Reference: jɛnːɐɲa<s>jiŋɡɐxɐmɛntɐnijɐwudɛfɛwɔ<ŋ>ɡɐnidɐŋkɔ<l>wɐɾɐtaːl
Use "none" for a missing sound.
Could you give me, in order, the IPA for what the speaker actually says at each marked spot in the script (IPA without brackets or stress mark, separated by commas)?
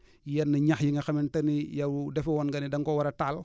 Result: x, n, none